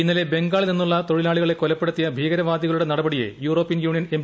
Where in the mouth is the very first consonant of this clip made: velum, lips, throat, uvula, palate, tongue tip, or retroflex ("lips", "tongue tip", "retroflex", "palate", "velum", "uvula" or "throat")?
tongue tip